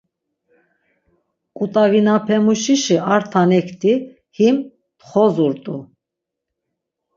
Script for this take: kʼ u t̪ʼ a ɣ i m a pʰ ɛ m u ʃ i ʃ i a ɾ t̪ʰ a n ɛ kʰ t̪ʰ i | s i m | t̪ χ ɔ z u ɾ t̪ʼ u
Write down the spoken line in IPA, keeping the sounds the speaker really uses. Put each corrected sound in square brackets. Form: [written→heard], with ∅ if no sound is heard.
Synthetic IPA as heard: kʼ u t̪ʼ a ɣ i [m→n] a pʰ ɛ m u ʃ i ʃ i a ɾ t̪ʰ a n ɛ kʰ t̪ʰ i | [s→h] i m | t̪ χ ɔ z u ɾ t̪ʼ u